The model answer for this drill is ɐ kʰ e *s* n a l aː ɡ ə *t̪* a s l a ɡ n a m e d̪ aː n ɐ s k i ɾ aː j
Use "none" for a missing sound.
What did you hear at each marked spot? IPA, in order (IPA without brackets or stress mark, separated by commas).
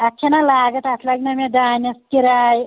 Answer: none, t̪